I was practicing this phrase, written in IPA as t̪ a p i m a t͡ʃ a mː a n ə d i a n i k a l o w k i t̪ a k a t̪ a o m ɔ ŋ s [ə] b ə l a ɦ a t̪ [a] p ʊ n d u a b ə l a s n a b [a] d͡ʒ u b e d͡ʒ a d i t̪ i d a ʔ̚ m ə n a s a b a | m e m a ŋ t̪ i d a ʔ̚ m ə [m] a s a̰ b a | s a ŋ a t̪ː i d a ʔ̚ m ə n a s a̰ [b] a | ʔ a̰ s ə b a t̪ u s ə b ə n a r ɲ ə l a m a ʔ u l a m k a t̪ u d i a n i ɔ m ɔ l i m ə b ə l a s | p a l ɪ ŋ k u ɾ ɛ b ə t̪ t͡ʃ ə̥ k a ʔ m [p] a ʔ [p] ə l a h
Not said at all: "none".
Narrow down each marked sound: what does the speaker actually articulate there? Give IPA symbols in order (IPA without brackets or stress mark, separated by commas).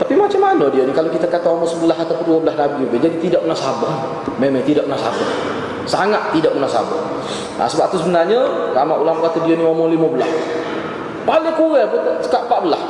ə, a, i, n, b, p, b